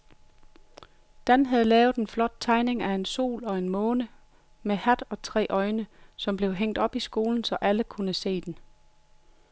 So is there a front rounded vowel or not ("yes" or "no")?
no